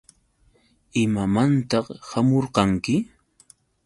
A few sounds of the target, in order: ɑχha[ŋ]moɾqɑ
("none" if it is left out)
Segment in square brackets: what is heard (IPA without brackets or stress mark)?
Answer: none